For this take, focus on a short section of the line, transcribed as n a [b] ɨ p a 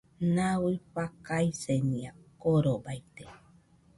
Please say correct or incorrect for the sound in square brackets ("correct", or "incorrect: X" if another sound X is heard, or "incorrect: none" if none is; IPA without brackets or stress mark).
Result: incorrect: w